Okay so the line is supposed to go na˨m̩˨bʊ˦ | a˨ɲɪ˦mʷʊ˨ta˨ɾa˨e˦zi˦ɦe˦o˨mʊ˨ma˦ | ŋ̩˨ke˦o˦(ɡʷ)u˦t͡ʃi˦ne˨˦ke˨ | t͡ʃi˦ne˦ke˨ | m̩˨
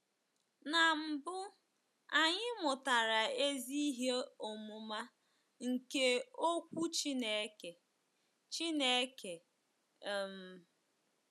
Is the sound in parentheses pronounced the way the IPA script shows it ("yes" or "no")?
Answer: no